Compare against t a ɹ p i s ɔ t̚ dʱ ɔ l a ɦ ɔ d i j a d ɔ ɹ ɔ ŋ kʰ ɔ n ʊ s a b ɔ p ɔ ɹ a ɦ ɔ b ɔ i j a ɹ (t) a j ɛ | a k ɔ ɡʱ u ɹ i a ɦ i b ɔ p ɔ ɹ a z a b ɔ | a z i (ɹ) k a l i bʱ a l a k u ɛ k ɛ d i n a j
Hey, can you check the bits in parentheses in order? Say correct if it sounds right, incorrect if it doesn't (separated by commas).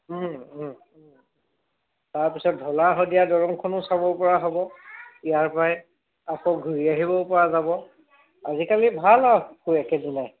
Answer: incorrect, incorrect